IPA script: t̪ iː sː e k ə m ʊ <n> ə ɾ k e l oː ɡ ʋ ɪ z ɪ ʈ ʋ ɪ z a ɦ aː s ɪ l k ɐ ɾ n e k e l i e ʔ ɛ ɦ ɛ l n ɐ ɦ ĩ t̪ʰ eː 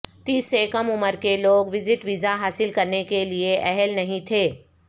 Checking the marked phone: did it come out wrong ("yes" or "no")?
yes